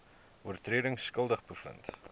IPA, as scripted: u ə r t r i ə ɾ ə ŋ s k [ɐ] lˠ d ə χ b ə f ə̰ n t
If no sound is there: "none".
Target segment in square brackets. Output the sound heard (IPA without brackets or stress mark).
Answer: ə